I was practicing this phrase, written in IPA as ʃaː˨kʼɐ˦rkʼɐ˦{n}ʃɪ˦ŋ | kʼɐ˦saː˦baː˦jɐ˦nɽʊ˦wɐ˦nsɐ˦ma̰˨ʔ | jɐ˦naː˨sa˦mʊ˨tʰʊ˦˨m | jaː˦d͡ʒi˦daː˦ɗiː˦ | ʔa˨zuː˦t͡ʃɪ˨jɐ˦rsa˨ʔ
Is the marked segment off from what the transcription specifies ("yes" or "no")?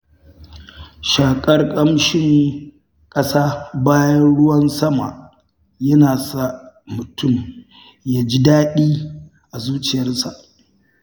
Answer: yes